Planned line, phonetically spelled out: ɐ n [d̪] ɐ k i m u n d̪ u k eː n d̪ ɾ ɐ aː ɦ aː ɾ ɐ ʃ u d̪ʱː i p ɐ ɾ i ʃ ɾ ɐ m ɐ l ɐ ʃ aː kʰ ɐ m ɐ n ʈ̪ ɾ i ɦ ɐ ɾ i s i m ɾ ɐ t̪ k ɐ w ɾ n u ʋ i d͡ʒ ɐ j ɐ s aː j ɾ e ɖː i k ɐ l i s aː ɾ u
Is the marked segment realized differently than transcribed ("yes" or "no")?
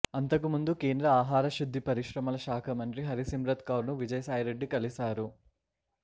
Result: yes